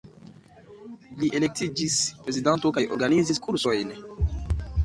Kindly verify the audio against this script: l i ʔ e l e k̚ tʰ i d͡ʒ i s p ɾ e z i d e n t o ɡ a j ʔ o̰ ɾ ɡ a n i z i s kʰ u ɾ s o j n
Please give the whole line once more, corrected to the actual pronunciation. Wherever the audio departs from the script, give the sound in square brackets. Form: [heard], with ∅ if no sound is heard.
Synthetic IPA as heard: l i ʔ e l e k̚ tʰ i d͡ʒ i s p ɾ e z i d [a] n t o [k] a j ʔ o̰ ɾ ɡ a n i z i s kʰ u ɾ s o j n